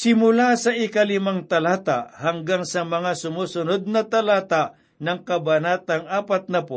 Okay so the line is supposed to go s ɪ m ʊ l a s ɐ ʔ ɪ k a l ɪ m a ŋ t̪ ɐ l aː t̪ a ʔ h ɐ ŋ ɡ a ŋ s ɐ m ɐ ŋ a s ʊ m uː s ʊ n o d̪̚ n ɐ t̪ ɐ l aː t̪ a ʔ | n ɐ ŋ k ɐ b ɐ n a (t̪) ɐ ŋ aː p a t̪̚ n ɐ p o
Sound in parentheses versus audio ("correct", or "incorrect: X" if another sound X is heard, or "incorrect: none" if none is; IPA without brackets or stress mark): correct